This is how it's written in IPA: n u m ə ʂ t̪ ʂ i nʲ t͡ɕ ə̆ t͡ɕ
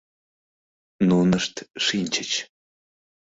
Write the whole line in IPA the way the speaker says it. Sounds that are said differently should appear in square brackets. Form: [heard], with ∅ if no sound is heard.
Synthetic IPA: n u [n] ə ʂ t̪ ʂ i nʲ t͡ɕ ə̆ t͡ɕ